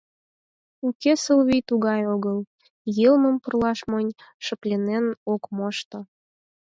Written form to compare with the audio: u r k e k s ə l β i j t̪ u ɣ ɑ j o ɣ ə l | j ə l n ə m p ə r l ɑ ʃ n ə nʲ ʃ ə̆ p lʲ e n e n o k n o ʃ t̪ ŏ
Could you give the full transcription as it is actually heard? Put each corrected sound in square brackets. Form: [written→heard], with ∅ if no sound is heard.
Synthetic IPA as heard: u [r→∅] k e [k→∅] s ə l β i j t̪ u ɣ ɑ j o ɣ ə l | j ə l [n→m] ə m p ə r l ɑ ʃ [n→m] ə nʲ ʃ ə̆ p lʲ e n e n o k [n→m] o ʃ t̪ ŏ